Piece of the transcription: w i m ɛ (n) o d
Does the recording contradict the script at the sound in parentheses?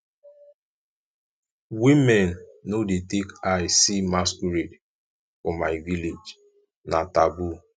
yes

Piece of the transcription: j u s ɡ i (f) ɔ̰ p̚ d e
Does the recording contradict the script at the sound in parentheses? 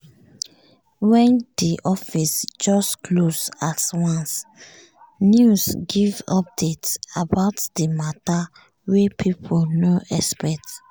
yes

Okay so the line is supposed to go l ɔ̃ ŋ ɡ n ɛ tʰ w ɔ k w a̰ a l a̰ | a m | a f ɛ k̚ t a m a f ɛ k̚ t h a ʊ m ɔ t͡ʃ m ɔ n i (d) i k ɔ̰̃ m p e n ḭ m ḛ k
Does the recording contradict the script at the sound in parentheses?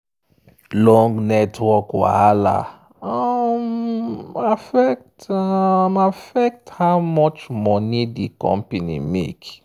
no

